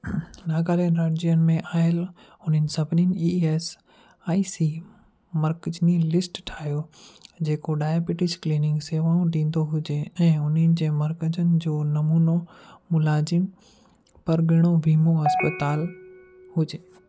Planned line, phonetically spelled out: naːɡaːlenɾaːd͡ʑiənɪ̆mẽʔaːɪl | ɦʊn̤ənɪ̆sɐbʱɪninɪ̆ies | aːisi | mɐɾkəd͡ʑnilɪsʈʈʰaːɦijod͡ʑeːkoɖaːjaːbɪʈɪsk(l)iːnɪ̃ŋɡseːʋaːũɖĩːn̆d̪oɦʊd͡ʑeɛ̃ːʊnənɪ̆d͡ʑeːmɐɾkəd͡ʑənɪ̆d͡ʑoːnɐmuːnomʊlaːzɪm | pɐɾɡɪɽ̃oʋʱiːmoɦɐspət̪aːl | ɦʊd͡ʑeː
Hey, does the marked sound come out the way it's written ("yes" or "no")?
yes